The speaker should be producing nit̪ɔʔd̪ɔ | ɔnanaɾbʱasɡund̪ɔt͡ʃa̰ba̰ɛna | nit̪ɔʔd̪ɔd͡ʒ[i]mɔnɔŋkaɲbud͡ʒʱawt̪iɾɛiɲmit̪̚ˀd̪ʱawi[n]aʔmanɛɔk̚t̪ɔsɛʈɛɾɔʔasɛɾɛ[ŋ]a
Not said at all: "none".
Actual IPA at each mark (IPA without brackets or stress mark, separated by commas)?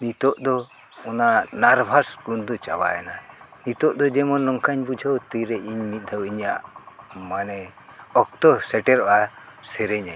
ɛ, ɲ, ɲ